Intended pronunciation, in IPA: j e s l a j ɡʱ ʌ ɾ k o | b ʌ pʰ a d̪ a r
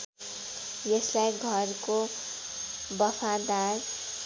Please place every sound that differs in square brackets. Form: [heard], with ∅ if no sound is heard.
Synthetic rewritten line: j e s l a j ɡʱ ʌ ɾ k o | b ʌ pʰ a d̪ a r